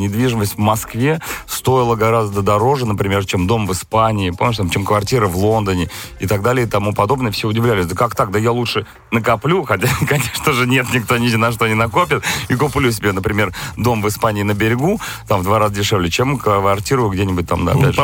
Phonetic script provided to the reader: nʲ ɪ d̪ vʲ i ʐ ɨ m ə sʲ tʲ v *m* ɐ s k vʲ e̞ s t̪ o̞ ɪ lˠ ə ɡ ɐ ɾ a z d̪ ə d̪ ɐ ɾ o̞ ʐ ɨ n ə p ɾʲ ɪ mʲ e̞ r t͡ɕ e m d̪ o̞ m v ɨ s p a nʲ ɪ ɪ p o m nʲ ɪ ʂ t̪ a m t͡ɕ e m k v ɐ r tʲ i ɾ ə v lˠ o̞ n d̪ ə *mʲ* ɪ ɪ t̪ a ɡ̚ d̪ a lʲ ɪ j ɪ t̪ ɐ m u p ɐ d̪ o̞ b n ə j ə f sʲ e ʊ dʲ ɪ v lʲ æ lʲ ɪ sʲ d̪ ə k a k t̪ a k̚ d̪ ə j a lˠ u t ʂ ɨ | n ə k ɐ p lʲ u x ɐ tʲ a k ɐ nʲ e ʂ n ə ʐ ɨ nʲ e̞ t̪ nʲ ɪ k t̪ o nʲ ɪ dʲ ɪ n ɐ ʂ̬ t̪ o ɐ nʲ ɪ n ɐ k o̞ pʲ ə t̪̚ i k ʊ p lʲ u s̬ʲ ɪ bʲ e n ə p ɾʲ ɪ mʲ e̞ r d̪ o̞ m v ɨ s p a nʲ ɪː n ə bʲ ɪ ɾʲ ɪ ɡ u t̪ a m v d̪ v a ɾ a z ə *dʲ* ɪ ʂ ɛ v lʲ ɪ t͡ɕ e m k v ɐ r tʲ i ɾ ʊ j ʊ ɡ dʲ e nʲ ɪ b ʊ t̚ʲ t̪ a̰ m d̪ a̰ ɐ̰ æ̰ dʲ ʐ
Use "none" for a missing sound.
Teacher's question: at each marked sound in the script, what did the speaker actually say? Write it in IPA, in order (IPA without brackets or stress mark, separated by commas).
m, nʲ, dʲ